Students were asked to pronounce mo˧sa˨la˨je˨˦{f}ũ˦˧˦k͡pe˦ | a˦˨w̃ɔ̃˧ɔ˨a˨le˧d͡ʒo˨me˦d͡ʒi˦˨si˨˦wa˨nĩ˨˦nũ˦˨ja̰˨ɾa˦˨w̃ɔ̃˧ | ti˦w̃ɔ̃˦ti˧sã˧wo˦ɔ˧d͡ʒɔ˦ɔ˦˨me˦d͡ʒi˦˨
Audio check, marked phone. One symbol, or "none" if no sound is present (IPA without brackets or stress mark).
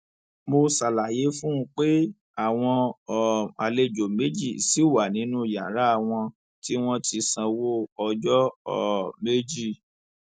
f